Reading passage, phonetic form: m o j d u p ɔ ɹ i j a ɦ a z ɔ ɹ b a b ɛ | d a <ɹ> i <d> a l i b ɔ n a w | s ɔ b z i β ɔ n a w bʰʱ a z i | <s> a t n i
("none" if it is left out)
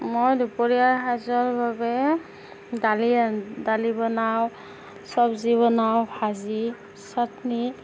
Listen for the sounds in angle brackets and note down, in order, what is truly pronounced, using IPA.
l, d, s

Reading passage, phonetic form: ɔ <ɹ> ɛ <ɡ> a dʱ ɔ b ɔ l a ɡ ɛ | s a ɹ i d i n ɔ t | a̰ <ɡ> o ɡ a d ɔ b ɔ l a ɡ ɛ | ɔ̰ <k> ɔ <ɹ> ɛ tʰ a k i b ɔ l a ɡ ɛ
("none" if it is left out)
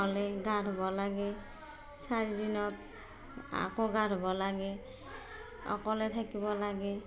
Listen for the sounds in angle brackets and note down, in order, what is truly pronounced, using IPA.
l, ɡ, k, k, l

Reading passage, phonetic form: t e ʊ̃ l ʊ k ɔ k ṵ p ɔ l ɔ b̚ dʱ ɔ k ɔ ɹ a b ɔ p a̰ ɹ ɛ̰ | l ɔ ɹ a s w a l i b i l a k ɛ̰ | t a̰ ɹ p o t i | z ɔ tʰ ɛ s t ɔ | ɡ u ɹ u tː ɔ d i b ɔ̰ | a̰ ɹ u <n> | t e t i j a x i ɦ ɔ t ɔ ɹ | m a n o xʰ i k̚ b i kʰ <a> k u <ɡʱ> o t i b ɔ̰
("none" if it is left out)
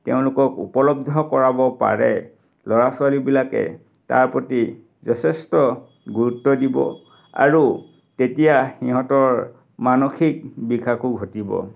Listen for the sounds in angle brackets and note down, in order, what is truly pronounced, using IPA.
none, a, ɡʱ

